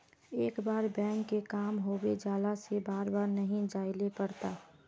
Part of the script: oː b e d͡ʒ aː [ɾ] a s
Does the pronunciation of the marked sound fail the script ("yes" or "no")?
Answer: yes